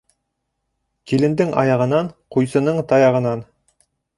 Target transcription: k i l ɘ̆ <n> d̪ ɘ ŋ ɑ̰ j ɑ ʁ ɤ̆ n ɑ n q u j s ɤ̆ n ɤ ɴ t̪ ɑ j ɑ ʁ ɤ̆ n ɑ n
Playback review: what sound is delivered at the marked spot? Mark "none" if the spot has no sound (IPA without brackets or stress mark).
n